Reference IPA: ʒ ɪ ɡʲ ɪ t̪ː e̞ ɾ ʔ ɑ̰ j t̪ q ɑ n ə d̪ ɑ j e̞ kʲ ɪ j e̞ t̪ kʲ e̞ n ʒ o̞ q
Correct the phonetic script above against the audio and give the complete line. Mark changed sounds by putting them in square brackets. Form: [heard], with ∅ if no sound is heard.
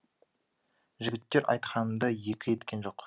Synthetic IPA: ʒ ɪ ɡʲ ɪ t̪ː e̞ ɾ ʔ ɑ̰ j t̪ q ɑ n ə d̪ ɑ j e̞ kʲ ɪ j e̞ t̪ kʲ e̞ n ʒ o̞ q